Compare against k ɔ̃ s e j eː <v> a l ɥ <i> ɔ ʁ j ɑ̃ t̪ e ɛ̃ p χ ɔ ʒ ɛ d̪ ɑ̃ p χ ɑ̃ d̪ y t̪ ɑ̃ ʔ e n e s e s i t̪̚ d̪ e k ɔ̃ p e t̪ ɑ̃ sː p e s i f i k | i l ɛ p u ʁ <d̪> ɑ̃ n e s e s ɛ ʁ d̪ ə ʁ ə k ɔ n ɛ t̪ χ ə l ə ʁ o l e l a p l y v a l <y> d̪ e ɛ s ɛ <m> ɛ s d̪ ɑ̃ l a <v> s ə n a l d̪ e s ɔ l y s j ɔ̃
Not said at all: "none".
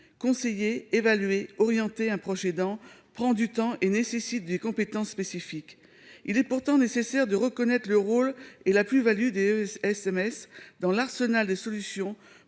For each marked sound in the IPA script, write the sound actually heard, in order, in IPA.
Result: v, e, t̪, y, m, ʁ

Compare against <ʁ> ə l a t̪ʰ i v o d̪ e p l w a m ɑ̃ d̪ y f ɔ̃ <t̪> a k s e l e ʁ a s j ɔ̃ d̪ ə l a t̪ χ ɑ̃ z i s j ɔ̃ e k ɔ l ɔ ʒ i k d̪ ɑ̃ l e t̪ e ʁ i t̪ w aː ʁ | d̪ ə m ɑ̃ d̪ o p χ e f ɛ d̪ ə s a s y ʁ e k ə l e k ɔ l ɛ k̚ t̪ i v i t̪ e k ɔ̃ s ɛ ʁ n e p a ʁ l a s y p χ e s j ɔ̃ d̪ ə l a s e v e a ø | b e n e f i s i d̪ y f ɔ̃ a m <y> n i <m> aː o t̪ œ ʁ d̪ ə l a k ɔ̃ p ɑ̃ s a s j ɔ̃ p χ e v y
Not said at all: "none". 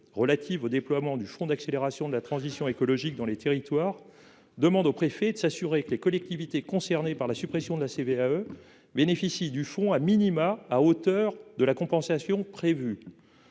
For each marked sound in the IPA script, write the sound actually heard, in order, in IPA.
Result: ʁ, d̪, i, m

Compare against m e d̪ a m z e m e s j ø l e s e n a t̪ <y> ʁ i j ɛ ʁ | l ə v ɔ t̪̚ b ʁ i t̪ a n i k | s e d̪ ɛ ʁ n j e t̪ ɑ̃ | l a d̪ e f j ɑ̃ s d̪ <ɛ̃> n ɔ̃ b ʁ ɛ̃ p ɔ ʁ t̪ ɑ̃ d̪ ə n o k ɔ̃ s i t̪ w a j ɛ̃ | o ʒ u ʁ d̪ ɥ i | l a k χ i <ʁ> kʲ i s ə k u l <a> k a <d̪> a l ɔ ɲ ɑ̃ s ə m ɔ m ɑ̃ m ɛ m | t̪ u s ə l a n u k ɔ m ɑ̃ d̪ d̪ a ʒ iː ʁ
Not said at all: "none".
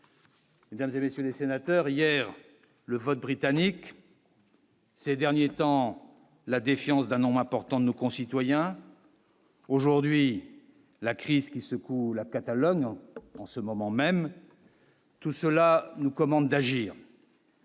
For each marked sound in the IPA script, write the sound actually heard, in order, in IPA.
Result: œ, ɛ̃, z, a, t̪

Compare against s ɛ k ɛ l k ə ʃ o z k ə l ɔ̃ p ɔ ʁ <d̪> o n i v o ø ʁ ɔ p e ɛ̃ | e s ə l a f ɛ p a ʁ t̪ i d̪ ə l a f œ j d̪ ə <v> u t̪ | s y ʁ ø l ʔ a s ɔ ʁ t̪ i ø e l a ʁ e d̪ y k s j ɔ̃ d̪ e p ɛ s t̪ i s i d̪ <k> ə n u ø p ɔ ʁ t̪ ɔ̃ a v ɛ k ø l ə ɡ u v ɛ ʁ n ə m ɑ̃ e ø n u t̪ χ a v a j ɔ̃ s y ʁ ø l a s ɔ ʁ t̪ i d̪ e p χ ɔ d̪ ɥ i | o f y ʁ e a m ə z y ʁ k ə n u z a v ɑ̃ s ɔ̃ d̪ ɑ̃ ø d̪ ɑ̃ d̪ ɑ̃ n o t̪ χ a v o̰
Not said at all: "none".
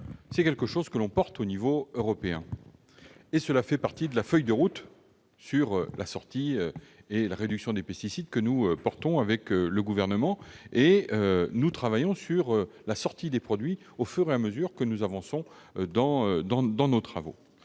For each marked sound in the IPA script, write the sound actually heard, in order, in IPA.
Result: t̪, ʁ, k

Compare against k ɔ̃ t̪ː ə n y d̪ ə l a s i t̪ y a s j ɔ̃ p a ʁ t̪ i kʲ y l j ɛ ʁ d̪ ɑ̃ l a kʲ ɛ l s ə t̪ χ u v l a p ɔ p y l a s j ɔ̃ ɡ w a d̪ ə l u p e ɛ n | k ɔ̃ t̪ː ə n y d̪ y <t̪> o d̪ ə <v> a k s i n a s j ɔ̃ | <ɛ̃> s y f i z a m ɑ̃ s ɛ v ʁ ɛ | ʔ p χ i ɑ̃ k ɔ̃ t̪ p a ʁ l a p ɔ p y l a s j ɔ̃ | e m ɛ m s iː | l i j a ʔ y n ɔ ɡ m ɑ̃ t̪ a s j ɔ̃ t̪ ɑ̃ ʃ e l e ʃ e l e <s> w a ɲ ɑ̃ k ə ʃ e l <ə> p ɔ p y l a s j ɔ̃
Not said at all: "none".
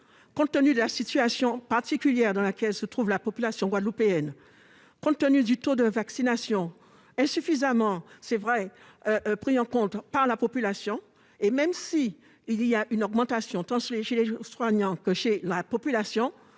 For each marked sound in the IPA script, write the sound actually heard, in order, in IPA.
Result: t̪, v, ɛ̃, s, a

